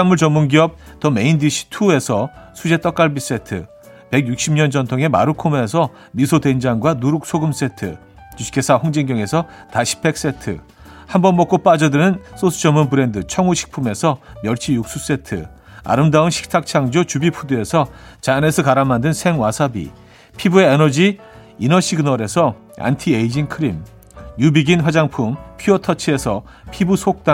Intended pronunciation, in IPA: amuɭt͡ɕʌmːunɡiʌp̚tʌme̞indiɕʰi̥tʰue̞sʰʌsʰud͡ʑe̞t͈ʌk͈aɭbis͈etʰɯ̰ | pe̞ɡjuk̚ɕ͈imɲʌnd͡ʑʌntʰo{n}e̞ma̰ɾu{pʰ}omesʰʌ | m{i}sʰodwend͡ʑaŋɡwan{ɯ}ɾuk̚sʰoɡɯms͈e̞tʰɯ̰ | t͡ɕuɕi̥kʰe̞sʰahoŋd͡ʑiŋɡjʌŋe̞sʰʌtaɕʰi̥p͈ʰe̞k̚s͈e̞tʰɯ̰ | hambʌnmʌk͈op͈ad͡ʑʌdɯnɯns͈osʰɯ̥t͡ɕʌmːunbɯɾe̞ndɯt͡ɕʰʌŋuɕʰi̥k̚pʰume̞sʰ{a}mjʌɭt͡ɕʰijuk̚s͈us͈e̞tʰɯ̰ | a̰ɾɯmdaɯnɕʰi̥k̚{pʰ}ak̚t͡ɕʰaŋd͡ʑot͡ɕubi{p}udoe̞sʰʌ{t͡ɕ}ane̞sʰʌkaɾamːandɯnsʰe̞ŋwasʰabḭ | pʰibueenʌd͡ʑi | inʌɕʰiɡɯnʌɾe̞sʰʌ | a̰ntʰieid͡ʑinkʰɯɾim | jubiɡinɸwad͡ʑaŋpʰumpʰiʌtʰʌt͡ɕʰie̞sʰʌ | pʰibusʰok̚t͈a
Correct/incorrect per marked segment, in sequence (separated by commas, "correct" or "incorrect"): incorrect, incorrect, correct, incorrect, incorrect, incorrect, incorrect, correct